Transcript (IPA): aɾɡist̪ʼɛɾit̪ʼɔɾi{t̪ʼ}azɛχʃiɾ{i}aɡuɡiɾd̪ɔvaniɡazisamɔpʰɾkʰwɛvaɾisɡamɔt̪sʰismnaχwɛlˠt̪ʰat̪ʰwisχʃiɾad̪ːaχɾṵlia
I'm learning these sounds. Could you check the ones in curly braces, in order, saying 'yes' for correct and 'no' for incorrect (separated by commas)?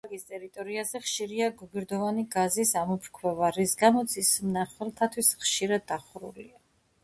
no, yes